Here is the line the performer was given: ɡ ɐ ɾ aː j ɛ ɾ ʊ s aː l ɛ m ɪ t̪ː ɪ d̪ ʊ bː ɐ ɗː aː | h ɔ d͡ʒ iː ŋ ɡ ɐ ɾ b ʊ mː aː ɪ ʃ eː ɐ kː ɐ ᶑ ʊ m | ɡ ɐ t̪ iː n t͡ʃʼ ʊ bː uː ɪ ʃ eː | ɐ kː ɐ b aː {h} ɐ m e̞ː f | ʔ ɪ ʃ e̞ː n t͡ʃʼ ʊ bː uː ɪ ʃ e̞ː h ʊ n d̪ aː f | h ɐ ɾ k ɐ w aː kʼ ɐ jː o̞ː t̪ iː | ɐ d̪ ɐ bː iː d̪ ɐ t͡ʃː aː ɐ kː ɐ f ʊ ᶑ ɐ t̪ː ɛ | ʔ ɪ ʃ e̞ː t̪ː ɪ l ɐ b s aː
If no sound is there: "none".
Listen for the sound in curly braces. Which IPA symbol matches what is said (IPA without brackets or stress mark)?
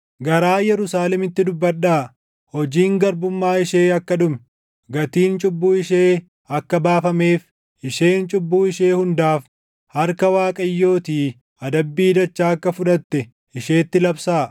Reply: f